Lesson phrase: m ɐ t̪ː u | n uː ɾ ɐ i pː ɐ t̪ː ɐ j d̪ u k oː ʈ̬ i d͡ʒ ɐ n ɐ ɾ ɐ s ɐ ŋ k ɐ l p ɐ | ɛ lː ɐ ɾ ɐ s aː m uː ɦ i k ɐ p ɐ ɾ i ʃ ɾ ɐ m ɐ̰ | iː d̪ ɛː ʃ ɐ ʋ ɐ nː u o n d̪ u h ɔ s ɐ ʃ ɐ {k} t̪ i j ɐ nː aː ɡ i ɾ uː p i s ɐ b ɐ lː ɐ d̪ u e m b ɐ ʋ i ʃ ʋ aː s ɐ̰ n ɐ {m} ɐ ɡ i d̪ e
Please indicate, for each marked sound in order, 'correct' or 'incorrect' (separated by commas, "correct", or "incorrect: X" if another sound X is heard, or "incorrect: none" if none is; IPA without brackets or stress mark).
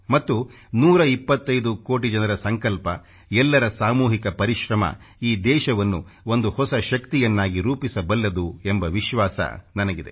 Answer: correct, incorrect: n